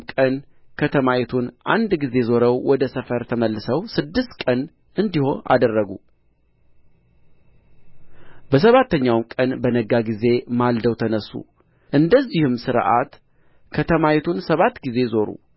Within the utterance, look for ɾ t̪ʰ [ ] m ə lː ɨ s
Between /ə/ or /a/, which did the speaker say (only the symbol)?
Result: ə